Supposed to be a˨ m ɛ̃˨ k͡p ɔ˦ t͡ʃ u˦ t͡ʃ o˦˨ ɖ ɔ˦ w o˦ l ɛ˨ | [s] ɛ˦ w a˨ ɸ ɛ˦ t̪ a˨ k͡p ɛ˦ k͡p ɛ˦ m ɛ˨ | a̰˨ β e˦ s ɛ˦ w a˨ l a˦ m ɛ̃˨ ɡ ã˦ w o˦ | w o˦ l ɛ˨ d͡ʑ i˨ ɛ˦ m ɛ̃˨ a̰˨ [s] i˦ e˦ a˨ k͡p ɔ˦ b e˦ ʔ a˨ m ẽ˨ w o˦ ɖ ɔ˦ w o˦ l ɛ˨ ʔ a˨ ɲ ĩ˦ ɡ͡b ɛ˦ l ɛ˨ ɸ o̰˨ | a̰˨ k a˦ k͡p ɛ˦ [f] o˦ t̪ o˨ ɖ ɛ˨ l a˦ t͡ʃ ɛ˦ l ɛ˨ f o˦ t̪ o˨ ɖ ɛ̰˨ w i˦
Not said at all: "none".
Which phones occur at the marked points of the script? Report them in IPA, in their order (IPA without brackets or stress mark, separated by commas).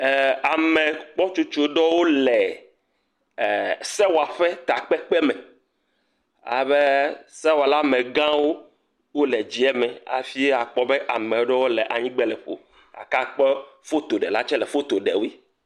s, f, f